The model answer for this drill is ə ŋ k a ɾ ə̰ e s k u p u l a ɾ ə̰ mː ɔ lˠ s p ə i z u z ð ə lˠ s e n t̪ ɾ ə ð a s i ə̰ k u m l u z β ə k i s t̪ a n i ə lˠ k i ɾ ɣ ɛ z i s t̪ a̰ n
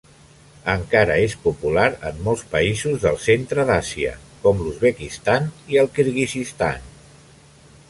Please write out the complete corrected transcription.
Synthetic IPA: ə ŋ k a ɾ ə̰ e s p u p u l a ɾ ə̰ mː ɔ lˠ s p ə i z u z ð ə lˠ s e n t̪ ɾ ə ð a s i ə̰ k ɔ m l u z β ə k i s t̪ a n i ə lˠ k i ɾ ɣ i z i s t̪ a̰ n